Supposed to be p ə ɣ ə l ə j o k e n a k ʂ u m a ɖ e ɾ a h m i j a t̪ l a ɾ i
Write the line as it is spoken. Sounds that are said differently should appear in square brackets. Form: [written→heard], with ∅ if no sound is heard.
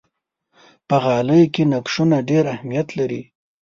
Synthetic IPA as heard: p ə ɣ [ə→ɑ] l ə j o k e n a k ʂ u [m→n] a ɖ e ɾ a h m i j a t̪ l a ɾ i